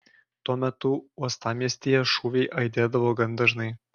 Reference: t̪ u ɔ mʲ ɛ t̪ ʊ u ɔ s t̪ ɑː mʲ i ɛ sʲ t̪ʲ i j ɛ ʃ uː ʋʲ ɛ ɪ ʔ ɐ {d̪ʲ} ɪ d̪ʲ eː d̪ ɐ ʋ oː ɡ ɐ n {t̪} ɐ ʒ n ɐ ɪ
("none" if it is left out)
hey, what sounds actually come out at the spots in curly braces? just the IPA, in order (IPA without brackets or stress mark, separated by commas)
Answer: none, d̪